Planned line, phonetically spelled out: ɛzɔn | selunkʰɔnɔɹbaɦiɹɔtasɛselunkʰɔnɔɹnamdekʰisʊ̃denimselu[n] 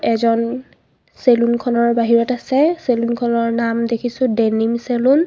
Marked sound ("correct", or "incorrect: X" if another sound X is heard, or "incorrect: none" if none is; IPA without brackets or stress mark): correct